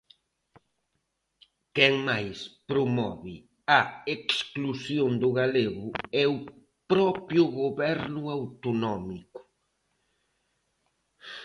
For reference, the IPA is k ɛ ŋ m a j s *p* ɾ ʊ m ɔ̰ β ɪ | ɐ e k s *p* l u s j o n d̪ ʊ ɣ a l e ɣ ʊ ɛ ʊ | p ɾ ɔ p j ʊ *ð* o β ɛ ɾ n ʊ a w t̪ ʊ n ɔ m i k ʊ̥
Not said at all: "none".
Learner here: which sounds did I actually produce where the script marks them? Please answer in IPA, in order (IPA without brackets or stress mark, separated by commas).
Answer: p, k, ɣ